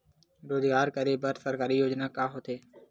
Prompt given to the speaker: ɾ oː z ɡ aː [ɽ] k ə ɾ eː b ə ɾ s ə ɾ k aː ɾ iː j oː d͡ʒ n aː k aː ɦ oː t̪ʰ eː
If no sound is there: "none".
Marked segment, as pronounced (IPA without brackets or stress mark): ɾ